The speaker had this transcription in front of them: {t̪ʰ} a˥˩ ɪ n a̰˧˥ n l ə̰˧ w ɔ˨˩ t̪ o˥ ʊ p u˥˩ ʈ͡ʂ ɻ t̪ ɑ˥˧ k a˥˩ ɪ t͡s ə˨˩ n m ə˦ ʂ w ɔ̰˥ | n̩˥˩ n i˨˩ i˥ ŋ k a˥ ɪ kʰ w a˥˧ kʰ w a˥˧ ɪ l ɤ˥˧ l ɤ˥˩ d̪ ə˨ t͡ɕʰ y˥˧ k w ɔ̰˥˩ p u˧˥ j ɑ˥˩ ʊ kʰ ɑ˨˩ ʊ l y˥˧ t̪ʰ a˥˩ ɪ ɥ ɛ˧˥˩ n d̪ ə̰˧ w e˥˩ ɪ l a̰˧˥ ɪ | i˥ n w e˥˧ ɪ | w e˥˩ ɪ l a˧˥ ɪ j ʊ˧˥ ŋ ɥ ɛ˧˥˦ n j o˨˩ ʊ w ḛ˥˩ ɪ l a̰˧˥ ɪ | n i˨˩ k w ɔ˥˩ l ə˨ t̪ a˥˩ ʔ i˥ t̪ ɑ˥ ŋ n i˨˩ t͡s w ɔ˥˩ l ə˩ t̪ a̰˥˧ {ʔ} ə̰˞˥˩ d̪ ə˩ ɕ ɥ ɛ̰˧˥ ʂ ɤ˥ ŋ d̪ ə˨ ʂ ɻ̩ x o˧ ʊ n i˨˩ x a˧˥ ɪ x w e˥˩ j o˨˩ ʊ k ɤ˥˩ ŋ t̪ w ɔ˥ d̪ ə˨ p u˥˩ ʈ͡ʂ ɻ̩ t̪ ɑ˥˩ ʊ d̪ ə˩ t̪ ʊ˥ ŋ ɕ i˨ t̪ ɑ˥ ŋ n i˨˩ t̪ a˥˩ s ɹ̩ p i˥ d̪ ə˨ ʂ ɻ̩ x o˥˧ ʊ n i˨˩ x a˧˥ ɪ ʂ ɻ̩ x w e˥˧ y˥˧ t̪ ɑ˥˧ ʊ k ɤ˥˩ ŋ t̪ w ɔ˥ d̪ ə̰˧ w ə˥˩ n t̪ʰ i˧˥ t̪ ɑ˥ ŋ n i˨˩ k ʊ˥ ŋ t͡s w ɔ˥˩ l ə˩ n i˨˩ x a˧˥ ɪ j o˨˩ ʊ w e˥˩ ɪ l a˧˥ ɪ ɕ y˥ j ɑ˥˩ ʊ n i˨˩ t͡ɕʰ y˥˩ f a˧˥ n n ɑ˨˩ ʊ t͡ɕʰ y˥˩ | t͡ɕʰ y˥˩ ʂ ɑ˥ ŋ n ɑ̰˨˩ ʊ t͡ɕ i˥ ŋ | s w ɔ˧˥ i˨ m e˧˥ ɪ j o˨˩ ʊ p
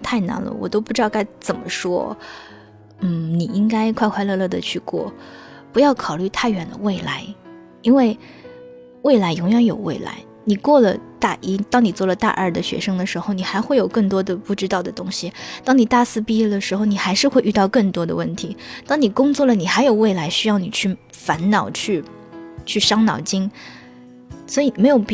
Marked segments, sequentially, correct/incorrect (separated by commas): correct, correct